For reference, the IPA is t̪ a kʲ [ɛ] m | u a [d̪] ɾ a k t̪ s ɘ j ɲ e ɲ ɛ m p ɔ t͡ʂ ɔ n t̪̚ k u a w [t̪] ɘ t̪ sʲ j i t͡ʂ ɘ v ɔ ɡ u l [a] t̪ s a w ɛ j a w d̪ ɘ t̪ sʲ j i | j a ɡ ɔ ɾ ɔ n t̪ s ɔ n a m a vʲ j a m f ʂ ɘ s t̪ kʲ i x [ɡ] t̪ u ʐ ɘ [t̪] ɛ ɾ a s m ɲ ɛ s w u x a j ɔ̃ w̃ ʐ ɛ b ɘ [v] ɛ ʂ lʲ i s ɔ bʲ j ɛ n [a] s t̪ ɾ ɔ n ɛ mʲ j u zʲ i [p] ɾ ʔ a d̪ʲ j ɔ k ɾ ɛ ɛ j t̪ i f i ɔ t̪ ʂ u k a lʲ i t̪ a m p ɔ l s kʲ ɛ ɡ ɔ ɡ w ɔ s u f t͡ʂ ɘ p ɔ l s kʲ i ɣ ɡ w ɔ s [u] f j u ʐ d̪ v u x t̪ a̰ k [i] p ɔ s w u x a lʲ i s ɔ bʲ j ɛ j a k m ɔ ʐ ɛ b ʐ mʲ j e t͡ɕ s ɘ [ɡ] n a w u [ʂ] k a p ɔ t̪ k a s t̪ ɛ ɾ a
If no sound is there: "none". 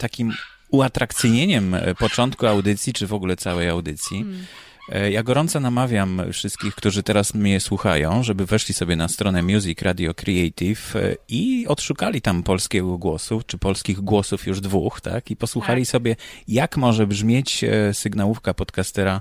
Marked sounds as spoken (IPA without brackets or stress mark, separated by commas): i, t̪, d̪, ɛ, k, t̪, v, a, k, u, i, ɡ, f